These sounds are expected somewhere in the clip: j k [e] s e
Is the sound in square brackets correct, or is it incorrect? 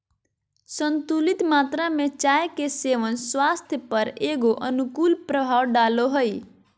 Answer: correct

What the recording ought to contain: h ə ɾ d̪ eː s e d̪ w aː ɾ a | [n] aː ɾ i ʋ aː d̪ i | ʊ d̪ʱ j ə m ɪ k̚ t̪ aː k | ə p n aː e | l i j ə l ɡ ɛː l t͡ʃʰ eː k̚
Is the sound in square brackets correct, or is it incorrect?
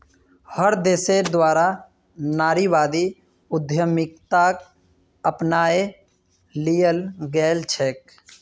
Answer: correct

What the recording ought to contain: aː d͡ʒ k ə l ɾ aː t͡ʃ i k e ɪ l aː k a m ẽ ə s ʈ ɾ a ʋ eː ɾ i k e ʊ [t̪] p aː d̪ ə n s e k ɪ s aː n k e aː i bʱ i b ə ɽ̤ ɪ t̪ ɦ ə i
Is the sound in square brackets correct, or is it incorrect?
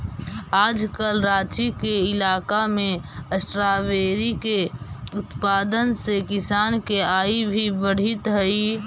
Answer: correct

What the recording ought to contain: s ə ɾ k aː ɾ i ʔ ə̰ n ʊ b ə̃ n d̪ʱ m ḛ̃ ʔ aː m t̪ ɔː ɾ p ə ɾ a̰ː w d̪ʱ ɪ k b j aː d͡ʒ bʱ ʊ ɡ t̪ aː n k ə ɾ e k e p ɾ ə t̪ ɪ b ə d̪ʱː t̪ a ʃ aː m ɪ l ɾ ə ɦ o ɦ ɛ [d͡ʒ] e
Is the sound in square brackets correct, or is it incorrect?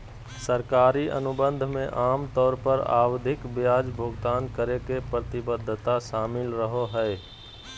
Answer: incorrect: none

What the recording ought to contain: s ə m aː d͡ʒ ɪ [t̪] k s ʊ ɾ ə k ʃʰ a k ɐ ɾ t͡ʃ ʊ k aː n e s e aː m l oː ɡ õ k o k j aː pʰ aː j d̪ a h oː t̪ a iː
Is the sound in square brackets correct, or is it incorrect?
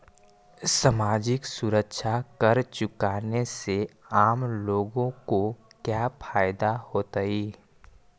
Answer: incorrect: none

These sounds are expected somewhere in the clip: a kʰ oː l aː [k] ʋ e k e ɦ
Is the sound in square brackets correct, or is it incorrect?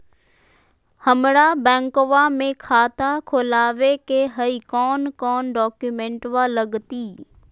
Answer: incorrect: none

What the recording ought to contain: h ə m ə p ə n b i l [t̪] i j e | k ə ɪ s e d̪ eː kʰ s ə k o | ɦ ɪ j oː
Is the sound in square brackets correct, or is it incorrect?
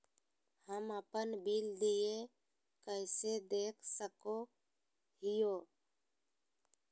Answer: incorrect: d̪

